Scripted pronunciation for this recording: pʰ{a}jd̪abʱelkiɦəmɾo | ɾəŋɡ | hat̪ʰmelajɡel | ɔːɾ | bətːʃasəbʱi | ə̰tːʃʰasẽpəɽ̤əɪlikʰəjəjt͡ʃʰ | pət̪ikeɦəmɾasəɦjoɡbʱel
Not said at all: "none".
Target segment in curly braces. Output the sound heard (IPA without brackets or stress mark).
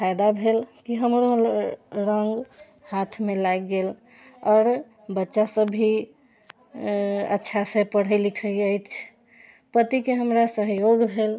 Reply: a